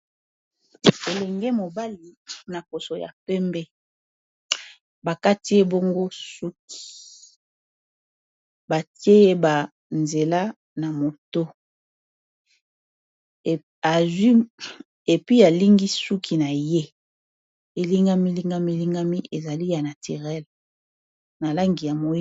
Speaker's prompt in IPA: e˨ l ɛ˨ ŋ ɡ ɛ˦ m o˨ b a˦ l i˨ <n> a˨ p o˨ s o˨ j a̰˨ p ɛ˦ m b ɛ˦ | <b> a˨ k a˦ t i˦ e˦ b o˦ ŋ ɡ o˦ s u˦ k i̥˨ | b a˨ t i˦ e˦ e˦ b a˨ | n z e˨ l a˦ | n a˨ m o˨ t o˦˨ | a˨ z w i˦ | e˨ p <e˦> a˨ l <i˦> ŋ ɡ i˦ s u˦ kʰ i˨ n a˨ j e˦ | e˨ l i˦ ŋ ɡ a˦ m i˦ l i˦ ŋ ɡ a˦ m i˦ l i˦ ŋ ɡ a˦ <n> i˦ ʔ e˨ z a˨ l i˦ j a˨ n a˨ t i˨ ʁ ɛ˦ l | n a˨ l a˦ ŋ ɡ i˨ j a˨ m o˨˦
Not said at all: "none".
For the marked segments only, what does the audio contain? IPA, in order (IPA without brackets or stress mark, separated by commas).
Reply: n, b, i˦, i˦, m